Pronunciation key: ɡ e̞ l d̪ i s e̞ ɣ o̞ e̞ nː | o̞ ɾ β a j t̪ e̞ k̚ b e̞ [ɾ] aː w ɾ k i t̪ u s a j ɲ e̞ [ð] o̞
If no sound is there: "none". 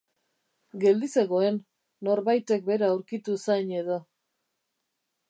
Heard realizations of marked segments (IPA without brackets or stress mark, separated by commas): ɾ, ð